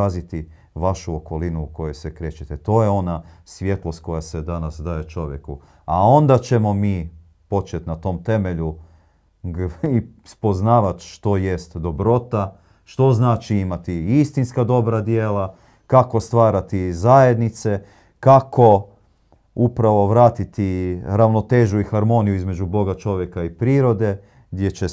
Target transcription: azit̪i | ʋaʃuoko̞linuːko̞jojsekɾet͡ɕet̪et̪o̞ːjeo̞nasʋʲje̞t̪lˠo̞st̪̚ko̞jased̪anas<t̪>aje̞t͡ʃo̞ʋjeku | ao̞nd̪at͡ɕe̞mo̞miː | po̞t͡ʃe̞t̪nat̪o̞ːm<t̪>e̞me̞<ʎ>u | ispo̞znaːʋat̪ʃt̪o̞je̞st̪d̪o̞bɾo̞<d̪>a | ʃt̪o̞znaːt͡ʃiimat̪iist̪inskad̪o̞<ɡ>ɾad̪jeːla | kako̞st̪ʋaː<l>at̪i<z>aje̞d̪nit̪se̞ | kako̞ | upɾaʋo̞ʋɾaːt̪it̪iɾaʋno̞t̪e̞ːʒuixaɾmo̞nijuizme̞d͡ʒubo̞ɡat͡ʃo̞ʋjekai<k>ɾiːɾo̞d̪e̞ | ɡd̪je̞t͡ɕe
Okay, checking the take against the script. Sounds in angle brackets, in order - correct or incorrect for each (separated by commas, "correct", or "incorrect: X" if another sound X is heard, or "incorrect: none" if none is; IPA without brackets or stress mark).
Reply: incorrect: d̪, correct, correct, incorrect: t̪, incorrect: b, incorrect: ɾ, correct, incorrect: p